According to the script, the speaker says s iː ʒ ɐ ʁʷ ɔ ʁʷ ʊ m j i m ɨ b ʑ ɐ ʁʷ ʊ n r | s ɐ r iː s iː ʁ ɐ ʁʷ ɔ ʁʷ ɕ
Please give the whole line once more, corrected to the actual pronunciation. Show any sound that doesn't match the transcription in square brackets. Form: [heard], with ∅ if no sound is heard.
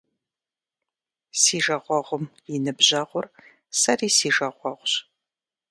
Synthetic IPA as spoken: s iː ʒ ɐ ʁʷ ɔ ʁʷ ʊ m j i [n] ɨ b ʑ ɐ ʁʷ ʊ [∅] r | s ɐ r iː s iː [ʒ] ɐ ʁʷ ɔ ʁʷ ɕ